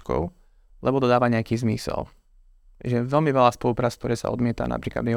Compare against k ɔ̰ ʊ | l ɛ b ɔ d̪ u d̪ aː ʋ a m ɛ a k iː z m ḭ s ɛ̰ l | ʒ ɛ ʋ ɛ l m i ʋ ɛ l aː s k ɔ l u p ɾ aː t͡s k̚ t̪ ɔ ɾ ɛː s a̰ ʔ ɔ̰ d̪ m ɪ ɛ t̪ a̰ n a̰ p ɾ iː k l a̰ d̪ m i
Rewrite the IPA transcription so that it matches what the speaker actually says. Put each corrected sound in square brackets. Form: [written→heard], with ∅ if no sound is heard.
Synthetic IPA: k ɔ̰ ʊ | l ɛ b ɔ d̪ [u→ɔ] d̪ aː ʋ a [m→ɲ] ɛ a k iː z m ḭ s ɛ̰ l | ʒ ɛ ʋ ɛ l m i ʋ ɛ l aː s [k→p] ɔ l u p ɾ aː t͡s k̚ t̪ ɔ ɾ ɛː s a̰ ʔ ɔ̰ d̪ m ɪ ɛ t̪ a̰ n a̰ p ɾ iː k l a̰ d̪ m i